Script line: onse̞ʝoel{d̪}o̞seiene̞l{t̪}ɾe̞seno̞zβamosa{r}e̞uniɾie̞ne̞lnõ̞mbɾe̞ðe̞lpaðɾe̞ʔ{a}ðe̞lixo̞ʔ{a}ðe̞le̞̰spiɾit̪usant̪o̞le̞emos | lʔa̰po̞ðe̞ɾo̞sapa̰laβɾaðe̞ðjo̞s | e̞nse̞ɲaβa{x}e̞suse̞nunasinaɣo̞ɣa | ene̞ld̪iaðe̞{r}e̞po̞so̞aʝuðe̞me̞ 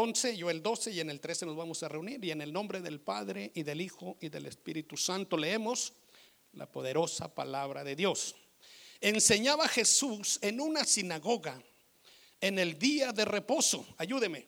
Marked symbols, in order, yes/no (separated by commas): yes, yes, yes, no, no, yes, yes